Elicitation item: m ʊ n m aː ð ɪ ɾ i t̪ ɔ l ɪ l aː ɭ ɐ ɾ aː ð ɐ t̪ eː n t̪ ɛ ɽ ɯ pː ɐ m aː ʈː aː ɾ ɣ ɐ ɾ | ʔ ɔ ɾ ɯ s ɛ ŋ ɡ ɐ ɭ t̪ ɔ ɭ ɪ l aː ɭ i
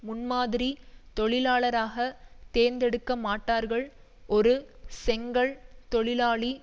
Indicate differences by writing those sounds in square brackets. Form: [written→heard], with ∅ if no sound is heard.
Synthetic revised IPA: m ʊ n m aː ð ɪ ɾ i t̪ ɔ [l→ɭ] ɪ l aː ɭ ɐ ɾ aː [ð→ɣ] ɐ t̪ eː n [t̪→d̪] ɛ ɽ ɯ [pː→kː] ɐ m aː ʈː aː ɾ ɣ ɐ [ɾ→ɭ] | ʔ ɔ ɾ ɯ s ɛ ŋ ɡ ɐ ɭ t̪ ɔ ɭ ɪ l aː ɭ i